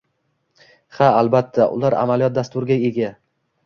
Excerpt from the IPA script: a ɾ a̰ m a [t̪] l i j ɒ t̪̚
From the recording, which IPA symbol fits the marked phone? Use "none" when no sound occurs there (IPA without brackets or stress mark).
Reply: none